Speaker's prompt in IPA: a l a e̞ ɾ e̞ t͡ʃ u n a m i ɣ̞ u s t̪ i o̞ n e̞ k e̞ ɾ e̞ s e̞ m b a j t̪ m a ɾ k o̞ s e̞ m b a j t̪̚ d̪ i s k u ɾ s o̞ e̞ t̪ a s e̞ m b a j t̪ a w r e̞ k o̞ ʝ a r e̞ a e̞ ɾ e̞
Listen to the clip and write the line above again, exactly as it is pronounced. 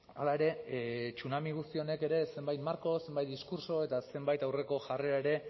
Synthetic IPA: a l a e̞ ɾ e̞ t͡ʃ u n a m i ɣ̞ u s t̪ i o̞ n e̞ k e̞ ɾ e̞ s e̞ m b a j t̪ m a ɾ k o̞ s e̞ m b a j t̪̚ d̪ i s k u ɾ s o̞ e̞ t̪ a s e̞ m b a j t̪ a w r e̞ k o̞ ʝ a r e̞ a e̞ ɾ e̞